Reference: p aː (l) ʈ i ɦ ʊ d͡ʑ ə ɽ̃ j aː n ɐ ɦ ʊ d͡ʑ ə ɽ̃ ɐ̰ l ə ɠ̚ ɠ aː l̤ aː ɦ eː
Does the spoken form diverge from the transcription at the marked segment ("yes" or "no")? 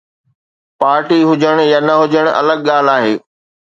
yes